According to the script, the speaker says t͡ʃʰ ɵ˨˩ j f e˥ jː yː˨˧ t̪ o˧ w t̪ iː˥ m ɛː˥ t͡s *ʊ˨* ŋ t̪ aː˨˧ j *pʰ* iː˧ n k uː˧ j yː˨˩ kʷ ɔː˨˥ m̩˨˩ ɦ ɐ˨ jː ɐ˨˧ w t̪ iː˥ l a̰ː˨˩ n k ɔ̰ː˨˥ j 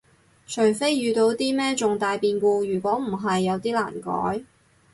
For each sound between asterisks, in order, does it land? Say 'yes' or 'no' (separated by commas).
yes, no